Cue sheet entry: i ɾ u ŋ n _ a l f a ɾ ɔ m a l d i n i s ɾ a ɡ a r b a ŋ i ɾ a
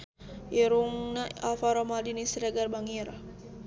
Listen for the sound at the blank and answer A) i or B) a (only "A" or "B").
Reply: B